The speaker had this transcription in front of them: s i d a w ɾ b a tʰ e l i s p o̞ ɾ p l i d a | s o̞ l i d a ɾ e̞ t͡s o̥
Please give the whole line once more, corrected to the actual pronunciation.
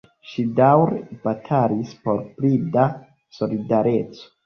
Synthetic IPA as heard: ʃ i d a w ɾ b a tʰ a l i s p o̞ ɾ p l i d a | s o̞ l i d a ɾ e̞ t͡s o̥